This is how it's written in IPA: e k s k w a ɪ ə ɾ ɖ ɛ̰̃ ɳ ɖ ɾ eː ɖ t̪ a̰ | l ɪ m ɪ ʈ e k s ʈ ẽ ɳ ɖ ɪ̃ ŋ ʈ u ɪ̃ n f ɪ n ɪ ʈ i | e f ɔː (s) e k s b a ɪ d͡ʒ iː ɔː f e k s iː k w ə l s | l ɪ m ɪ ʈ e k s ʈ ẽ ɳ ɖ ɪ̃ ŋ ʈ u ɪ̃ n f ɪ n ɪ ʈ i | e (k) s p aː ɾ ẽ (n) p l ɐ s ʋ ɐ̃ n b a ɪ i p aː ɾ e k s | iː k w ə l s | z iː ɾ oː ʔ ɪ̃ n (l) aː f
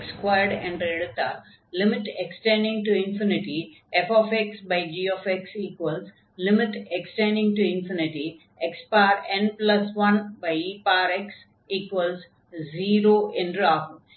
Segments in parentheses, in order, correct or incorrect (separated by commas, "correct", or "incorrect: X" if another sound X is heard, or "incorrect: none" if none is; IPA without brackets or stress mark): incorrect: f, correct, correct, incorrect: ɾ